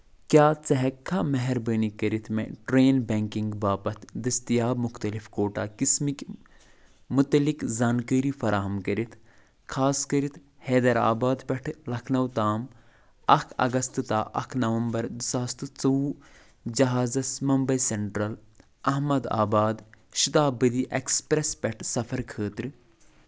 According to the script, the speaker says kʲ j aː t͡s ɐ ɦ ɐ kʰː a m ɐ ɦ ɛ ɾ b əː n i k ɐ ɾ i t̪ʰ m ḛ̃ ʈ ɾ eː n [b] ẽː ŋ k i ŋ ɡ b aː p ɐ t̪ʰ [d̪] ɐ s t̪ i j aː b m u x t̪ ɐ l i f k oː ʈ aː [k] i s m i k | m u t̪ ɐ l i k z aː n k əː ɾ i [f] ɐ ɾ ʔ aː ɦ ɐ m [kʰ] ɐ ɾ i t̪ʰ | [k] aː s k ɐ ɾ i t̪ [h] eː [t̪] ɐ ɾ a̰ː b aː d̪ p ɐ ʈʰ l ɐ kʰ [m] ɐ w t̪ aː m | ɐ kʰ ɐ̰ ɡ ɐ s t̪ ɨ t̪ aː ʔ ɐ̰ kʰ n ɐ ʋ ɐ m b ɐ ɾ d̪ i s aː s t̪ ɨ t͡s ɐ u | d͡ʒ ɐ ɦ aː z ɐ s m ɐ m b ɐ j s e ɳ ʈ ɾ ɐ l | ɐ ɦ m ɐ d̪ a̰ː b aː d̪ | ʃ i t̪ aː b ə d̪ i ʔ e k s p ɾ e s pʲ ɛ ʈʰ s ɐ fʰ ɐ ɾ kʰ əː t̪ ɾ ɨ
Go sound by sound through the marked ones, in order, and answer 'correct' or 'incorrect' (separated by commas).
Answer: correct, correct, correct, correct, incorrect, incorrect, correct, incorrect, incorrect